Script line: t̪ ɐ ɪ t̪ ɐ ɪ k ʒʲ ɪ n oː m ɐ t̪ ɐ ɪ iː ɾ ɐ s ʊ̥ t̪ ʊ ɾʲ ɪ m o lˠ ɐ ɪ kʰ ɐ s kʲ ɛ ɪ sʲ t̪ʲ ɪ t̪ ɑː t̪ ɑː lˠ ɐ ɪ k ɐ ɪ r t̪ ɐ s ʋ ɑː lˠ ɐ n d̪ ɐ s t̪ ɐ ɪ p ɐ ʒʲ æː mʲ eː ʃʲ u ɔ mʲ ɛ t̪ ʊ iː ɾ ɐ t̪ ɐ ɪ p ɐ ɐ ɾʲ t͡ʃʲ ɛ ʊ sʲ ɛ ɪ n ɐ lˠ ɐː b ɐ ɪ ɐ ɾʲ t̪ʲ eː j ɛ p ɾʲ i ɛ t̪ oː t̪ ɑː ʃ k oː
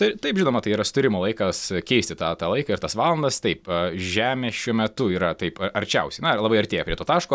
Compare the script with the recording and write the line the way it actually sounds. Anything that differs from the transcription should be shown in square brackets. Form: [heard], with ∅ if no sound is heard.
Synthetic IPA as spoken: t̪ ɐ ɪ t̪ ɐ ɪ [p] ʒʲ ɪ n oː m ɐ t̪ ɐ ɪ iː ɾ ɐ s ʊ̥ t̪ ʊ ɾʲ ɪ m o lˠ ɐ ɪ [k] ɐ s kʲ ɛ ɪ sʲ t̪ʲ ɪ t̪ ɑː t̪ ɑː lˠ ɐ ɪ k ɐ ɪ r t̪ ɐ s ʋ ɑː lˠ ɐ n d̪ ɐ s t̪ ɐ ɪ p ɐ ʒʲ æː mʲ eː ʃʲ u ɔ mʲ ɛ t̪ ʊ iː ɾ ɐ t̪ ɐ ɪ p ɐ ɐ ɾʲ t͡ʃʲ ɛ ʊ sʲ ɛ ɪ n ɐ lˠ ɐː b ɐ ɪ ɐ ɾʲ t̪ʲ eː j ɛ p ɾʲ i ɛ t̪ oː t̪ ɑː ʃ k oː